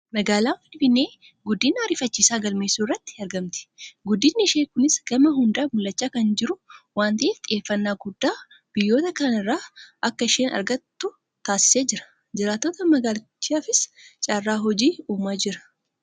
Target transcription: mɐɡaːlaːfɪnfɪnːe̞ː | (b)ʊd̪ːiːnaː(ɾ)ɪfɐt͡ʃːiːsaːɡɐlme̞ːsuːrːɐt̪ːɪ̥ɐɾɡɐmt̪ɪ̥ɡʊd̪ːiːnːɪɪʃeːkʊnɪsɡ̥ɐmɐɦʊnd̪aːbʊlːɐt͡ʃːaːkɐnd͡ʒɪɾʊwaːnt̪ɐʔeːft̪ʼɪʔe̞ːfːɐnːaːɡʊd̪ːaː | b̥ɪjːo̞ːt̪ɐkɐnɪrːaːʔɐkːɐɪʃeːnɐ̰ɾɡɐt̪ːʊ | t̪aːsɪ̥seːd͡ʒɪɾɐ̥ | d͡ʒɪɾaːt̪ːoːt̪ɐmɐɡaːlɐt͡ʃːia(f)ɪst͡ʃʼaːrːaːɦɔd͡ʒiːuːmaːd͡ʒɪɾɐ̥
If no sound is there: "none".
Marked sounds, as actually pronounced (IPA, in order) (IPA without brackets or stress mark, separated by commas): ɡ, ɾ, f